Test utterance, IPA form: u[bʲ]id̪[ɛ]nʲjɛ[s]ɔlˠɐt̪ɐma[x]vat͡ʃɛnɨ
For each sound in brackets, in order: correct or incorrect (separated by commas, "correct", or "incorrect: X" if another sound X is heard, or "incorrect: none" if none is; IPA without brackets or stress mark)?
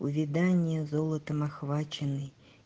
incorrect: vʲ, incorrect: a, incorrect: z, correct